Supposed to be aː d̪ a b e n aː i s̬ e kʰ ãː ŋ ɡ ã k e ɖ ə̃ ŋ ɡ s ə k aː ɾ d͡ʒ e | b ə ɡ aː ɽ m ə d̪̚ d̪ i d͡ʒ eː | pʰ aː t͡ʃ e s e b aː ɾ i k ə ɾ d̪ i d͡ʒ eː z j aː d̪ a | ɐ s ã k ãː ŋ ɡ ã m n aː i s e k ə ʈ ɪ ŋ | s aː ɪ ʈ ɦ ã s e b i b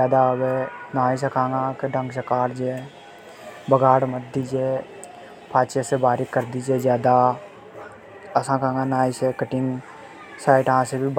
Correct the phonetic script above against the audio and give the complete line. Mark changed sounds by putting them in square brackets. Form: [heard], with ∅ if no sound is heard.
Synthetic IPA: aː d̪ a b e n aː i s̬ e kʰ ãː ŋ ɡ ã k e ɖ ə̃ ŋ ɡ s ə k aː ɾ d͡ʒ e | b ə ɡ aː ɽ m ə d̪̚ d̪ i d͡ʒ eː | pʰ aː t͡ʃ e s e b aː ɾ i k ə ɾ d̪ i d͡ʒ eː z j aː d̪ a | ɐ s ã k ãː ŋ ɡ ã [∅] n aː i s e k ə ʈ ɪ ŋ | s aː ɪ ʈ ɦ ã s e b i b